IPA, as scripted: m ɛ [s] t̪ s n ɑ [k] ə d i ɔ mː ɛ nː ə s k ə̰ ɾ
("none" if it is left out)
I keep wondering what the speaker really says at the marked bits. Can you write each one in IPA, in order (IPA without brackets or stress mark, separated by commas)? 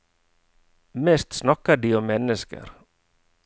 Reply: s, k